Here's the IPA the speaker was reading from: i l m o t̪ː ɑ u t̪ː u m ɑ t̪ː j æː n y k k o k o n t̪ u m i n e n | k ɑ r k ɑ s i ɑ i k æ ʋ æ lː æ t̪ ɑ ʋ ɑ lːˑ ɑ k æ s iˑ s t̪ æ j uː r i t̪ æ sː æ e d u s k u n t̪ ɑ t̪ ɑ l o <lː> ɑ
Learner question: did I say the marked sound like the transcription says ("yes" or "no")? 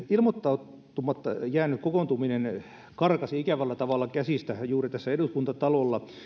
yes